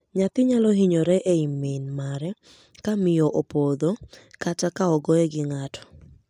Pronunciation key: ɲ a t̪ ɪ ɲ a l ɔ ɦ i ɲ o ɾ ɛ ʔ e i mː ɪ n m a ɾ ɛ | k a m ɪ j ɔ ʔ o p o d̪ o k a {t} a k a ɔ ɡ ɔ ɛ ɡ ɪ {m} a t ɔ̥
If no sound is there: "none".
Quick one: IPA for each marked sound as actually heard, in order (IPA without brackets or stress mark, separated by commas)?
t͡ʃ, ŋ